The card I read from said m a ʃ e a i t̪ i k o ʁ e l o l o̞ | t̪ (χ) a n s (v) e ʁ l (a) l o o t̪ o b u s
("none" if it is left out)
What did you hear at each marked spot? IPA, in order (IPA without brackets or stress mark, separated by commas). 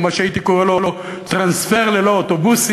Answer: ʁ, f, e